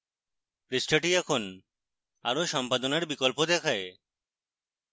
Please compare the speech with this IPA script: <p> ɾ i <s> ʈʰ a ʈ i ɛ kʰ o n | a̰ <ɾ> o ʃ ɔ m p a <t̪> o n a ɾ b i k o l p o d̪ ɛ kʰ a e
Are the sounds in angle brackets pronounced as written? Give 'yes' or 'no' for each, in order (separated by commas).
yes, yes, yes, no